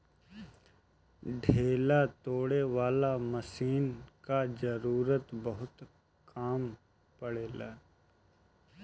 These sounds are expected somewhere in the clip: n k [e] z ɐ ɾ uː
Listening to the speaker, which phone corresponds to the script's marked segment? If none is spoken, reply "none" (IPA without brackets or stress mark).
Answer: a